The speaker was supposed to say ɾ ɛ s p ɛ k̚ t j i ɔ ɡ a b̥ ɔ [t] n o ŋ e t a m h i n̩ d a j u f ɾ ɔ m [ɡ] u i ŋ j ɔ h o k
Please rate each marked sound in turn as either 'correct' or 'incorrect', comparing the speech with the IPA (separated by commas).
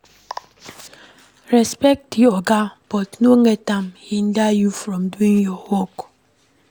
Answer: correct, incorrect